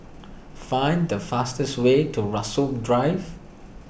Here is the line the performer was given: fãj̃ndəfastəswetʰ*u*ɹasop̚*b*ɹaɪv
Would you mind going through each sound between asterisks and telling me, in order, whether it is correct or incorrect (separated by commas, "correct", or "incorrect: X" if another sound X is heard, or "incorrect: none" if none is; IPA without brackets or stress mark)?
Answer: correct, incorrect: d